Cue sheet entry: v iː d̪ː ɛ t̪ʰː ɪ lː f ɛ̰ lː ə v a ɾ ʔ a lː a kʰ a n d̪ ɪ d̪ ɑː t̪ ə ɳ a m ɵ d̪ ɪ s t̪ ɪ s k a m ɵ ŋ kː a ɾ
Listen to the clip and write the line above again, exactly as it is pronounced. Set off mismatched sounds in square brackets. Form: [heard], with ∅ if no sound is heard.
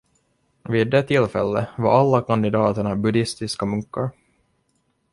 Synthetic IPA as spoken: v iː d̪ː ɛ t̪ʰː ɪ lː f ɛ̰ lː ə v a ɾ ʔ a lː a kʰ a n d̪ ɪ d̪ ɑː t̪ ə ɳ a [b] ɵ d̪ ɪ s t̪ ɪ s k a m ɵ ŋ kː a ɾ